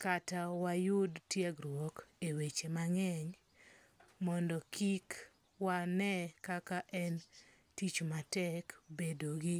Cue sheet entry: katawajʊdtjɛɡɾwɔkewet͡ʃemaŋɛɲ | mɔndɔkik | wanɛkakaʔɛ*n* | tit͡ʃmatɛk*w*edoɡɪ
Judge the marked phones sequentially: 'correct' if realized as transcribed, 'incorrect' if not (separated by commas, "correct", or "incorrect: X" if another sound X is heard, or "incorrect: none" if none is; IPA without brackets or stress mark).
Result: correct, incorrect: b